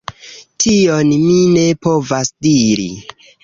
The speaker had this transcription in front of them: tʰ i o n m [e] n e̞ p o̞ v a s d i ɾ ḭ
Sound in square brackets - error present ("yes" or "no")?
yes